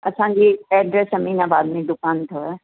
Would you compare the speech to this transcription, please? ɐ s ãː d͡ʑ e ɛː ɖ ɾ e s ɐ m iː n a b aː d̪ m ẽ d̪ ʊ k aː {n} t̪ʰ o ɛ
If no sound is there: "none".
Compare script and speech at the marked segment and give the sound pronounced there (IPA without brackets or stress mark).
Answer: n